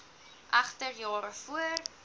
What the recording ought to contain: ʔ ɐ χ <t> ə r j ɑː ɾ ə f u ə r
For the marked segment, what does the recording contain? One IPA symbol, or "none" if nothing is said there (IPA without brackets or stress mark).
t